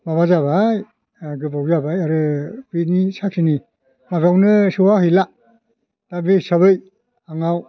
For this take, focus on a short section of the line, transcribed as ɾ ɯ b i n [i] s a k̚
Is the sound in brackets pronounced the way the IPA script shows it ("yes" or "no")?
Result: yes